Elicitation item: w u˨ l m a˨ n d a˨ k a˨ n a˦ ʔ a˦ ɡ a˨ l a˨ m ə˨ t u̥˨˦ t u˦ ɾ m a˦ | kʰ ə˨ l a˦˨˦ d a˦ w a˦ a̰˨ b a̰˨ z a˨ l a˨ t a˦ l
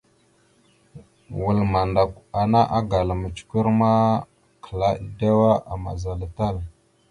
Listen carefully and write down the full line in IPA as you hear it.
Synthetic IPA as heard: w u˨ l m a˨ n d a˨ k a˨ n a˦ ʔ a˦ ɡ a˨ l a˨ m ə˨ t͡ʃ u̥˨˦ k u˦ ɾ m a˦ | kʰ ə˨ l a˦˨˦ d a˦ w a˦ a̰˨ m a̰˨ z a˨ l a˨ t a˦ l